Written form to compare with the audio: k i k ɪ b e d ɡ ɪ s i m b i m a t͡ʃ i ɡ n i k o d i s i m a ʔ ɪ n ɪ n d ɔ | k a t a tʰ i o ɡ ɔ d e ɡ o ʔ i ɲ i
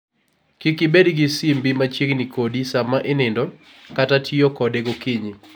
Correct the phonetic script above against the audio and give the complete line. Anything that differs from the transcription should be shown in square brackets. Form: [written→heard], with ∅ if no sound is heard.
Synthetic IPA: k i k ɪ b e d ɡ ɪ s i m b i m a t͡ʃ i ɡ n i k o d i s [i→a] m a ʔ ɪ n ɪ n d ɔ | k a t a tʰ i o [ɡ→k] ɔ d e ɡ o [ʔ→k] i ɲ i